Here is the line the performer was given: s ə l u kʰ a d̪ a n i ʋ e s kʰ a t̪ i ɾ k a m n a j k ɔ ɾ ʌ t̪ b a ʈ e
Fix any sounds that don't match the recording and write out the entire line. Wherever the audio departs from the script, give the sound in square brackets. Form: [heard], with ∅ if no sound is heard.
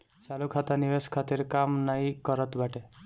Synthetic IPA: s [a] l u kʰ a [t̪] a n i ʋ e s kʰ a t̪ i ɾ k a m n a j k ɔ ɾ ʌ t̪ b a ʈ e